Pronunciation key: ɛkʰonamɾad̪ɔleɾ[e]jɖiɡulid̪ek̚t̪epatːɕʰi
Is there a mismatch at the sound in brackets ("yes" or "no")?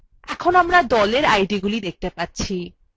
yes